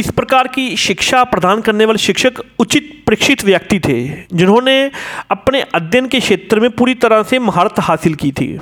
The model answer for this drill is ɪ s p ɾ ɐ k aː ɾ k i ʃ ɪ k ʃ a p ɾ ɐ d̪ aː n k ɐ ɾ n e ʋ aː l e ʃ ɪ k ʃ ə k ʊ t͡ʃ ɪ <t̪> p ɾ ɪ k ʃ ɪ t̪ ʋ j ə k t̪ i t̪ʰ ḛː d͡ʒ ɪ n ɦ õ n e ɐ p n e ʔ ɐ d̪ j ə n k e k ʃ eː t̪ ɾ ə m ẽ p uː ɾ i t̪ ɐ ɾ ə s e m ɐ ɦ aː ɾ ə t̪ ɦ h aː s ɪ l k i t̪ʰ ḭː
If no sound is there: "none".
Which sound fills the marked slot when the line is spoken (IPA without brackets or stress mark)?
t̪